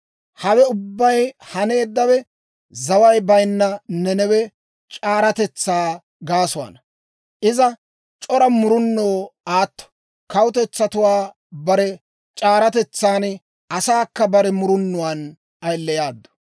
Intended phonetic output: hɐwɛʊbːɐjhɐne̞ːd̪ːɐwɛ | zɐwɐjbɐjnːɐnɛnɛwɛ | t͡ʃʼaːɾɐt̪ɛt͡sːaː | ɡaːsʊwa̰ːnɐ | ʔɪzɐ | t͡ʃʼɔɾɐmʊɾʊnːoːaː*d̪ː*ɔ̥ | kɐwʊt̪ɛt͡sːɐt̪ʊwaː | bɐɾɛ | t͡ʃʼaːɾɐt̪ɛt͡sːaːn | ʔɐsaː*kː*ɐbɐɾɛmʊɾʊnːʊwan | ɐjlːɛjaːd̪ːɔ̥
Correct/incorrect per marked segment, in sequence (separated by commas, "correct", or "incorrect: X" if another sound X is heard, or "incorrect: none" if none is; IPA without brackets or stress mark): incorrect: t̪ː, correct